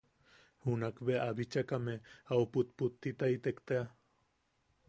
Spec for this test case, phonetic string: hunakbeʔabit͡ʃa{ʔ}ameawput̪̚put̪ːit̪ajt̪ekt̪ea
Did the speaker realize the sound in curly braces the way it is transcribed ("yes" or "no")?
no